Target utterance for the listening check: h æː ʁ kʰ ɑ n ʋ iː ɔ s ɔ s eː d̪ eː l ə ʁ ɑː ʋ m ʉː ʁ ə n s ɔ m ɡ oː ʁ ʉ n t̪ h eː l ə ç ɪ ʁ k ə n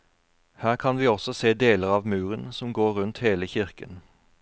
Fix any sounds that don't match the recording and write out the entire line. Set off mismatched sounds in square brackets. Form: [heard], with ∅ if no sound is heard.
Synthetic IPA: h æː ʁ kʰ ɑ n ʋ iː ɔ s ɔ s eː d̪ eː l ə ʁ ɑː ʋ m ʉː ʁ ə n s ɔ m ɡ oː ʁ ʉ n t̪ h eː l ə ç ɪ ʁ k ə n